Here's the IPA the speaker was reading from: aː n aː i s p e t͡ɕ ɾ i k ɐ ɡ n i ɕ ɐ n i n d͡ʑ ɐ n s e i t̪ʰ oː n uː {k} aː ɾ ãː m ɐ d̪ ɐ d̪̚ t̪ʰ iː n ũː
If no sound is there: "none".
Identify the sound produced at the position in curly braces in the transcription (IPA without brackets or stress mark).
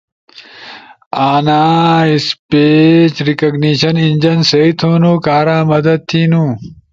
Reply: k